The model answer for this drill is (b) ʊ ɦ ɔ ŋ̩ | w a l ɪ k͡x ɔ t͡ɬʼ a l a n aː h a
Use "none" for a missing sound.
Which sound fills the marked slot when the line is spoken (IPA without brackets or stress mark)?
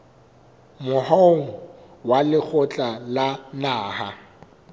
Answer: m